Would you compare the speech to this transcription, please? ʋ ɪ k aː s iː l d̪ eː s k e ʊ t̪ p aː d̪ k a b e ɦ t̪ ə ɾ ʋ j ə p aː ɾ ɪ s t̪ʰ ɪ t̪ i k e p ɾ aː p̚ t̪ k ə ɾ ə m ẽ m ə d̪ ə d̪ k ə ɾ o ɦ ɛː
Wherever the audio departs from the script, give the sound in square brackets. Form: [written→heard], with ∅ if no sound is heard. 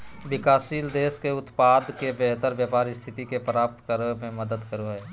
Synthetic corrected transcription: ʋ ɪ k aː s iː l d̪ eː s k e ʊ t̪ p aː d̪ k [a→e] b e ɦ t̪ ə ɾ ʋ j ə p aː ɾ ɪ s t̪ʰ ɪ t̪ i k e p ɾ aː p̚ t̪ k ə ɾ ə m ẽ m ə d̪ ə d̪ k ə ɾ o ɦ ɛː